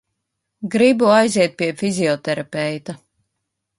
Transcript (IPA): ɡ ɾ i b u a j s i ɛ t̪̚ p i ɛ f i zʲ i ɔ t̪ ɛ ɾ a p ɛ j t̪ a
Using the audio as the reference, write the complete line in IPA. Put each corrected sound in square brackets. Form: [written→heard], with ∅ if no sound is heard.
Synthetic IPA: ɡ ɾ i b u a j [s→z] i ɛ t̪̚ p i ɛ f i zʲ i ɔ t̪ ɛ ɾ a p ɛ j t̪ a